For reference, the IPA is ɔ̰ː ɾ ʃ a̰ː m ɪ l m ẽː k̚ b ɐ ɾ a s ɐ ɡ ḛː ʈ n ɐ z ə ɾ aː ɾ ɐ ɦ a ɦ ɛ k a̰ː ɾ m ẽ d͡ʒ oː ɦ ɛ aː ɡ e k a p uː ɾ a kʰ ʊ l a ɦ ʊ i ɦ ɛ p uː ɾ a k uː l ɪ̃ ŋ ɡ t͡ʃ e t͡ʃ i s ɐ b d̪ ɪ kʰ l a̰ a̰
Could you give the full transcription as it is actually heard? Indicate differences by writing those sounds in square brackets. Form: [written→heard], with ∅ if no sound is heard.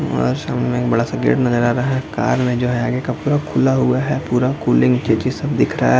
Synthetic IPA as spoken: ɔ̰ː ɾ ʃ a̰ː m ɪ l m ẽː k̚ b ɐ [ɾ→ɽ] a s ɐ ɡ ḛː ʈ n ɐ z ə ɾ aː ɾ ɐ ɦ a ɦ ɛ k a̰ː ɾ m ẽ d͡ʒ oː ɦ ɛ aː ɡ e k a p uː ɾ a kʰ ʊ l a ɦ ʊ [i→a] ɦ ɛ p uː ɾ a k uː l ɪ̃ ŋ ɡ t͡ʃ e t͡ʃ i s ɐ b d̪ ɪ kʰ [l→ɾ] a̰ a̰